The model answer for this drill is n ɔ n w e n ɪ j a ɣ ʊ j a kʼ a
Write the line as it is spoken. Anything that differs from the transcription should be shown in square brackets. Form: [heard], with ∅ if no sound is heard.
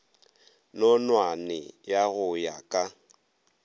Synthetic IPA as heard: n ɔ n w [a] n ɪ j a ɣ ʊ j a kʼ a